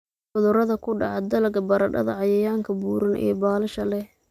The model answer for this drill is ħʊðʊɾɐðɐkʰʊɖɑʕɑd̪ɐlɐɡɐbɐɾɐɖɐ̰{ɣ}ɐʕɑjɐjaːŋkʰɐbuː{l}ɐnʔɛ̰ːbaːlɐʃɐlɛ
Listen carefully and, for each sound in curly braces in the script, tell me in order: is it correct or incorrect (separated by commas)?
incorrect, incorrect